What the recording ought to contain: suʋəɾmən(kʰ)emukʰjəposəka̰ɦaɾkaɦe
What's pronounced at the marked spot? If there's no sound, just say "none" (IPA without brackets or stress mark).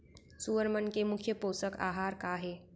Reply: k